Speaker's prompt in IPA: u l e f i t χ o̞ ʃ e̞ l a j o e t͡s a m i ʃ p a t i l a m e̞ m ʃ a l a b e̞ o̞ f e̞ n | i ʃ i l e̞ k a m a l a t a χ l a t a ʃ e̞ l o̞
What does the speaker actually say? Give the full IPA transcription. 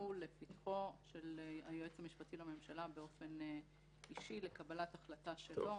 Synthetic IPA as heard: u l e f i t χ o̞ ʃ e̞ l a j o e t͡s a m i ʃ p a t i l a m e̞ m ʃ a l a b e̞ o̞ f e̞ n | i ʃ i l e̞ k a b a l a t a χ l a t a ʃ e̞ l o̞